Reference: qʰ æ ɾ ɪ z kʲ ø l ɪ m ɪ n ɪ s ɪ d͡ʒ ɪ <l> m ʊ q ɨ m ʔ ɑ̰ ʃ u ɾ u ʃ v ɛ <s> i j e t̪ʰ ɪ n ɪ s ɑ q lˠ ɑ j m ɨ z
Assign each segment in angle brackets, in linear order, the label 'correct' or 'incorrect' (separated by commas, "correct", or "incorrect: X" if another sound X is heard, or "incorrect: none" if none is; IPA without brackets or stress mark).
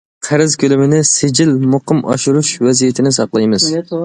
correct, incorrect: z